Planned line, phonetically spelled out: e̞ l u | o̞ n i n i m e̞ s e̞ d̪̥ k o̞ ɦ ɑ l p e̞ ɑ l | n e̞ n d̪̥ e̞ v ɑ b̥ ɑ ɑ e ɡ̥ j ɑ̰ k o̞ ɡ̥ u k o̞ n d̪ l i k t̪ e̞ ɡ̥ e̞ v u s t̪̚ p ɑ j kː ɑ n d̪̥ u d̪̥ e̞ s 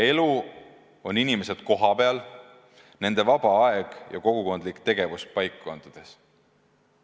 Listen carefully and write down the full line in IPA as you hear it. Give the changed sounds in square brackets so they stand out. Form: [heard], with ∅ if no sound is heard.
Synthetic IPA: e̞ l u | o̞ n i n i m e̞ s e̞ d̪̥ k o̞ ɦ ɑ [∅] p e̞ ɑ l | n e̞ n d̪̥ e̞ v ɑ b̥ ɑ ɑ e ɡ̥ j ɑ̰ k o̞ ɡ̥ u k o̞ n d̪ l i k t̪ e̞ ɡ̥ e̞ v u s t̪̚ p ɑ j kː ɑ n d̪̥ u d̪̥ e̞ s